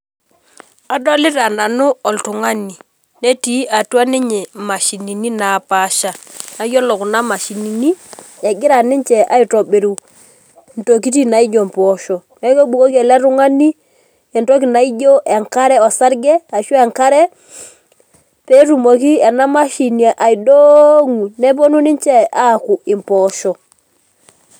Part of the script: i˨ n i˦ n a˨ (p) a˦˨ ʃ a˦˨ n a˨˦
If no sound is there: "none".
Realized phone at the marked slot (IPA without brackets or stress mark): p